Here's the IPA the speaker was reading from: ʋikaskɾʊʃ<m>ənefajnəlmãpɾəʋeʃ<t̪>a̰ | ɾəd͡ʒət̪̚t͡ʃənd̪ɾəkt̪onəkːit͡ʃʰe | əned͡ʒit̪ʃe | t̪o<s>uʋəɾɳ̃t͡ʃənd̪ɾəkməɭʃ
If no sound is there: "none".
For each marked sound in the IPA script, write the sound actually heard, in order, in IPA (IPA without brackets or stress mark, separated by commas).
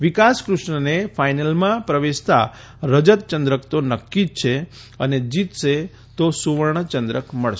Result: ɳ, t̪, s